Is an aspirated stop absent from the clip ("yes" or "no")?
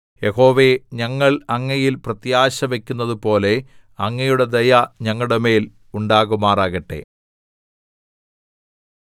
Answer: yes